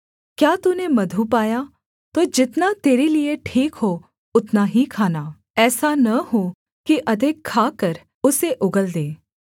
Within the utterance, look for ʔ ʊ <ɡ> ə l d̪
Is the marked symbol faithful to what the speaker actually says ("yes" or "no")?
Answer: yes